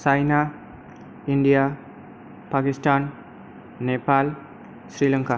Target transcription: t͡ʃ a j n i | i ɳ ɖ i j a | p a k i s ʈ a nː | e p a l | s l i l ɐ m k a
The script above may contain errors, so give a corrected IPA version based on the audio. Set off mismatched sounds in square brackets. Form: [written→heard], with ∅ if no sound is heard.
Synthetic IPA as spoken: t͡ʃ a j n [i→a] | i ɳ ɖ i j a | p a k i s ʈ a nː | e p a l | s [l→ɾ] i l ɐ [m→ŋ] k a